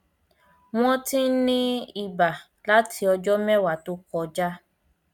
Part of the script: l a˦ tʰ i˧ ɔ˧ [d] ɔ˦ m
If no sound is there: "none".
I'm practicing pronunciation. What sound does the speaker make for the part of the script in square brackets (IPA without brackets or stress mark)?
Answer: d͡ʒ